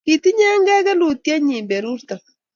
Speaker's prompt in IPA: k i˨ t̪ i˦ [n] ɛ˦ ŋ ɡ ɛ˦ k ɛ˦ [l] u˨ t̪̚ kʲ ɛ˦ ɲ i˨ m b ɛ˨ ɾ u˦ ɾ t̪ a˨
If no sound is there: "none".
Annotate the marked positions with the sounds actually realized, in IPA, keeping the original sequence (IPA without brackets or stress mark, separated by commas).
ɲ, l